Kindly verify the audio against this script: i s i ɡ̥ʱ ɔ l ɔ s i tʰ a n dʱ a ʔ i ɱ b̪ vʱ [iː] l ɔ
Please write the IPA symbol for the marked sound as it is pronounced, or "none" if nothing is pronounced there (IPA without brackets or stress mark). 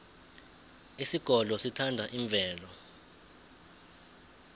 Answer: ɛː